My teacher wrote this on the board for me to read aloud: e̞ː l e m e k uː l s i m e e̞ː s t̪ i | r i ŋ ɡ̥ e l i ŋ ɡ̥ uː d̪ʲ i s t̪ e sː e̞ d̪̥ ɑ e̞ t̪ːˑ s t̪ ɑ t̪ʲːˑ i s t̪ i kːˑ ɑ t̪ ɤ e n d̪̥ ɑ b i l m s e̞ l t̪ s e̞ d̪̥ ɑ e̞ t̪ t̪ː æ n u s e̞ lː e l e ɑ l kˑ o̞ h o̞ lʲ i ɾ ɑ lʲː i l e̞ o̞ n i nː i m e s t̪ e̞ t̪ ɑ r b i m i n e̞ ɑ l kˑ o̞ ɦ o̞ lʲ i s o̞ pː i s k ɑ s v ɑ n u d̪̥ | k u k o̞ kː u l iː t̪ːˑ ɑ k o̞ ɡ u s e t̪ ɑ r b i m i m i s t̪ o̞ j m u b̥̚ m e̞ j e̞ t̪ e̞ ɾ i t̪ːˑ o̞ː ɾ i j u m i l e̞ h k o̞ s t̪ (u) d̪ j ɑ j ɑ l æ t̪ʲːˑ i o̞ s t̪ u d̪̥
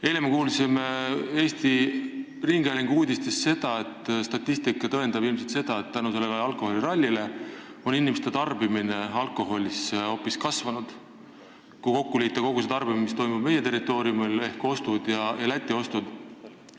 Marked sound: correct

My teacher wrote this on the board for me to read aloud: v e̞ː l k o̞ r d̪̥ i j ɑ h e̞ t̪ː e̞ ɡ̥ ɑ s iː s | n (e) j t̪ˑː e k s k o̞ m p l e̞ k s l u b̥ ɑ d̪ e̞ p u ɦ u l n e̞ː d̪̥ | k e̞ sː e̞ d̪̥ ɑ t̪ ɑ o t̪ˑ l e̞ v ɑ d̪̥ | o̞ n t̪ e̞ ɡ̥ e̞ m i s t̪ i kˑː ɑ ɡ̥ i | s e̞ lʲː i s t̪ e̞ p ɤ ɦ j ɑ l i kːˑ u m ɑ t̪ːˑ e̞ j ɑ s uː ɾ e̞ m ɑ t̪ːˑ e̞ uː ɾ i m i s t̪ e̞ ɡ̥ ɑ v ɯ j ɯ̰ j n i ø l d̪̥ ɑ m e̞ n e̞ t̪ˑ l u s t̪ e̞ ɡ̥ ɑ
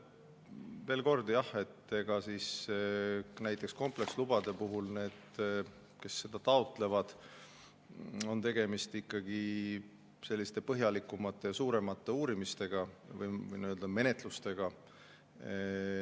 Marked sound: incorrect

